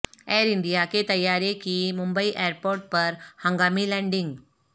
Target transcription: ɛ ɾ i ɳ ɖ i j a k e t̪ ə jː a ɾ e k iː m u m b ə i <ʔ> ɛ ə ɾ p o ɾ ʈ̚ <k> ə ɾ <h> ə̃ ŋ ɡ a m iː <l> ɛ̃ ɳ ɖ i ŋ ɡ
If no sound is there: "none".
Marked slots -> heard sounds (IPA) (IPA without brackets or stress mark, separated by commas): ʔ, p, h, l